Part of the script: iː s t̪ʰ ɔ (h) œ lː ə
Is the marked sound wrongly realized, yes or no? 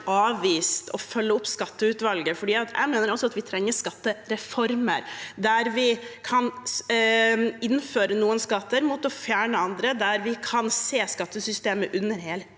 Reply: yes